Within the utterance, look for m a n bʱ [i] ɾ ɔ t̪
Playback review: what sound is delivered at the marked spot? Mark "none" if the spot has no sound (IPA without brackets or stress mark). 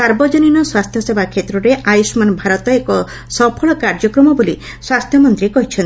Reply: a